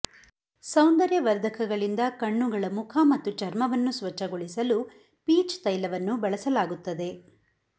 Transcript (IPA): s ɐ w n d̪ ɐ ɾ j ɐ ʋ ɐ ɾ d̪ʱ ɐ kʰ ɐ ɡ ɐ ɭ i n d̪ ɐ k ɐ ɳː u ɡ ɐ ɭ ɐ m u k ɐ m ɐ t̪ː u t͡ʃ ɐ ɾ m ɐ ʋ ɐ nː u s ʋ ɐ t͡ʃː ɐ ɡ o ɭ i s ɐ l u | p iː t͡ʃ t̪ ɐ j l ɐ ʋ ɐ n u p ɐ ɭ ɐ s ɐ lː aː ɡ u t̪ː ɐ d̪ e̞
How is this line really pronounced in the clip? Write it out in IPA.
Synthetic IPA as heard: s ɐ w n d̪ ɐ ɾ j ɐ ʋ ɐ ɾ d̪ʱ ɐ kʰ ɐ ɡ ɐ ɭ i n d̪ ɐ k ɐ ɳː u ɡ ɐ ɭ ɐ m u kʰ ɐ m ɐ t̪ː u t͡ʃ ɐ ɾ m ɐ ʋ ɐ nː u s ʋ ɐ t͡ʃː ɐ ɡ o ɭ i s ɐ l u | p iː t͡ʃ t̪ ɐ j l ɐ ʋ ɐ nː u b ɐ ɭ ɐ s ɐ l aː ɡ u t̪ː ɐ d̪ e̞